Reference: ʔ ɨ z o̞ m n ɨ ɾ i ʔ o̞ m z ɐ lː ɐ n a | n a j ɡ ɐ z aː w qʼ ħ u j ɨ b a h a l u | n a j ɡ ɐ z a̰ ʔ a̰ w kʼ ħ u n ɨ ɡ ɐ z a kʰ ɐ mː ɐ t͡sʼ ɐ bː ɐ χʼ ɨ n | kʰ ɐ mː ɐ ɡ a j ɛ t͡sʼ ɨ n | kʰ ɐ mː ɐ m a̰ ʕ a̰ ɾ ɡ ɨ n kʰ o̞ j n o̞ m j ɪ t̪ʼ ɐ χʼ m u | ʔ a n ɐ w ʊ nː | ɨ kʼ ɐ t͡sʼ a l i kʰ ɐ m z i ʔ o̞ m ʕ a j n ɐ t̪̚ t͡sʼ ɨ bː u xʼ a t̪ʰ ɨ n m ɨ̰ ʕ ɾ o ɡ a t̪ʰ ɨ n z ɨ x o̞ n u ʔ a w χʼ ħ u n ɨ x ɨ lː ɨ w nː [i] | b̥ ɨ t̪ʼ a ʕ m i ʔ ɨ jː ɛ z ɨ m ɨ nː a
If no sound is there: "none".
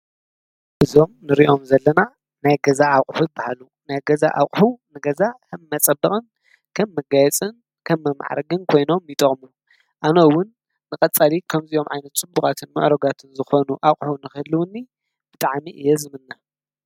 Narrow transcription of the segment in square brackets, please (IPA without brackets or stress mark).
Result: i